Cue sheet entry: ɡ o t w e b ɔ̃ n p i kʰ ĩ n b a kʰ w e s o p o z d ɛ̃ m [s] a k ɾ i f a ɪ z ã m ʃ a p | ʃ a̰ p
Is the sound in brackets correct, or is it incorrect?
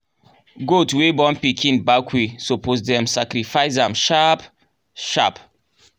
correct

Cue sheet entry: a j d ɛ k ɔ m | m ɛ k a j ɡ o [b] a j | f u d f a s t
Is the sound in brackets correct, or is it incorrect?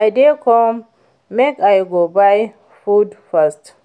correct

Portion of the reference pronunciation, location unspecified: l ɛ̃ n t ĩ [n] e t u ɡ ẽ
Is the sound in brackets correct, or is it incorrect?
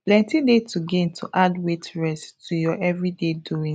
incorrect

